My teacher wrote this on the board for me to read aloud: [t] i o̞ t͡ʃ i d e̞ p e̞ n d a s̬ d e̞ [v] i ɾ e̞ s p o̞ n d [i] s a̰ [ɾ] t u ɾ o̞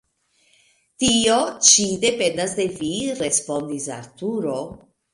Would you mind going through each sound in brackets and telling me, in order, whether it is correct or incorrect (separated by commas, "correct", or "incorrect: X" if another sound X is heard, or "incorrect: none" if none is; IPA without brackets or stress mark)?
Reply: correct, correct, correct, correct